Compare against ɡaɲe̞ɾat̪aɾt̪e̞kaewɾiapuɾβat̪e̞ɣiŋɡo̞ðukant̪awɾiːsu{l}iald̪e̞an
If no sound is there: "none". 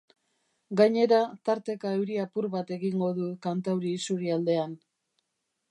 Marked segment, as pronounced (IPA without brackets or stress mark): ɾ